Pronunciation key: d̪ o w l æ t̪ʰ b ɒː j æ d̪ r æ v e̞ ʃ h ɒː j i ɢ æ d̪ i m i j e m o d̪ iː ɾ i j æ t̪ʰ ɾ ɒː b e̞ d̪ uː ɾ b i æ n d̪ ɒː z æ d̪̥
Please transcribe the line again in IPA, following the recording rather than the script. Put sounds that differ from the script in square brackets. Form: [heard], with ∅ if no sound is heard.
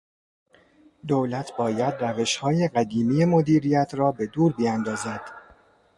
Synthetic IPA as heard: d̪ o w l æ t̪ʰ b ɒː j æ d̪ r æ v e̞ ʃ h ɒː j [e] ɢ æ d̪ [iː] m i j e m o d̪ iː ɾ i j æ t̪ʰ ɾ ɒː b e̞ d̪ uː ɾ b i æ n d̪ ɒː z æ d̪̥